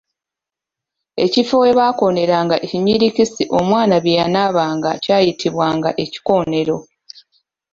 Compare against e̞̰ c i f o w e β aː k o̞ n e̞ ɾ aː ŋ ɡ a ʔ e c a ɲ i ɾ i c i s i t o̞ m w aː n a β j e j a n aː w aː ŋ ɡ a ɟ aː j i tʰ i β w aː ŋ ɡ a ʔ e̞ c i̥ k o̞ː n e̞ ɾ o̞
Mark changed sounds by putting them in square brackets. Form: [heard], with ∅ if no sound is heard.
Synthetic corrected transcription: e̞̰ c i f o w e β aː k o̞ n e̞ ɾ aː ŋ ɡ a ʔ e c [i] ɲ i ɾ i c i s i [ʔ] o̞ m w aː n a β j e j a n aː [β] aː ŋ ɡ a [c] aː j i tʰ i β w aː ŋ ɡ a ʔ e̞ c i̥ k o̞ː n e̞ ɾ o̞